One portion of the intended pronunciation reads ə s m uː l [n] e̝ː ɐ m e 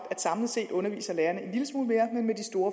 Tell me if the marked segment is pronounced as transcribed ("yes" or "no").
no